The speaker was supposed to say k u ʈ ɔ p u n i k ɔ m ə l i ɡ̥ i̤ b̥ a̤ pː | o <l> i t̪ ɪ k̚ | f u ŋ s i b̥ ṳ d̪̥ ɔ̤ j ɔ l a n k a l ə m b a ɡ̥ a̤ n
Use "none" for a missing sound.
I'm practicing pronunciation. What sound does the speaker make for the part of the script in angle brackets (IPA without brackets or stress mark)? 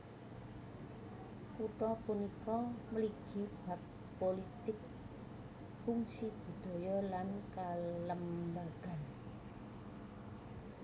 l